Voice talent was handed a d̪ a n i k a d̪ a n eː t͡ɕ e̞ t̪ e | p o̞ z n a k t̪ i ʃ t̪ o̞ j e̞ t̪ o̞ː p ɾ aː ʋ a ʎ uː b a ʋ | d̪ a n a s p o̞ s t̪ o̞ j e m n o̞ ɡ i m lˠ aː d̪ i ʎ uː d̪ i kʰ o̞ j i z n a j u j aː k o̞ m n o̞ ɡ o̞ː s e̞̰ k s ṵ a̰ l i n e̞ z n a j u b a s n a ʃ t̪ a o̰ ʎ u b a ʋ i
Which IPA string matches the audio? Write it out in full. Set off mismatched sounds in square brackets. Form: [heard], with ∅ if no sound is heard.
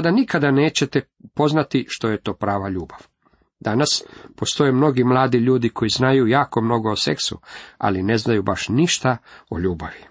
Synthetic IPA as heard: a d̪ a n i k a d̪ a n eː t͡ɕ e̞ t̪ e | p o̞ z n a [∅] t̪ i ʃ t̪ o̞ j e̞ t̪ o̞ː p ɾ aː ʋ a ʎ uː b a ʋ | d̪ a n a s p o̞ s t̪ o̞ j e m n o̞ ɡ i m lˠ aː d̪ i ʎ uː d̪ i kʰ o̞ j i z n a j u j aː k o̞ m n o̞ ɡ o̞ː s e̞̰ k s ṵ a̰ l i n e̞ z n a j u b a [ʃ] n [i] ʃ t̪ a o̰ ʎ [uː] b a ʋ i